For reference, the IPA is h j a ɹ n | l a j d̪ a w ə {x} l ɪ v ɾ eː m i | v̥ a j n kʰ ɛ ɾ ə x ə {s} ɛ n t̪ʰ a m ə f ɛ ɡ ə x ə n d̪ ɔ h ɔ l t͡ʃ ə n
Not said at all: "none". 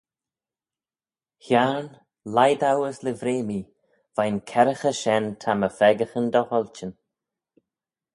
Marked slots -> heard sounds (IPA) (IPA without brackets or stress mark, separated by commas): s, ʃ